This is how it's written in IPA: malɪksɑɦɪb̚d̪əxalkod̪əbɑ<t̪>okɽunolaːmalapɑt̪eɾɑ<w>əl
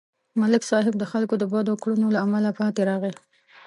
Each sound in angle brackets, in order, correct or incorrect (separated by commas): incorrect, incorrect